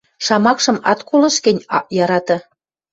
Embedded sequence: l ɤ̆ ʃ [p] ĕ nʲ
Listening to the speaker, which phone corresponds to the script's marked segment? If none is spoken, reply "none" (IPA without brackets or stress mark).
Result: k